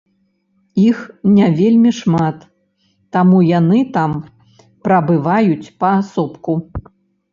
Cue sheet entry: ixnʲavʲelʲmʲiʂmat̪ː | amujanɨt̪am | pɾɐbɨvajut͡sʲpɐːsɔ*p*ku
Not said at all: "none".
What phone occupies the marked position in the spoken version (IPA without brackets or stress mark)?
p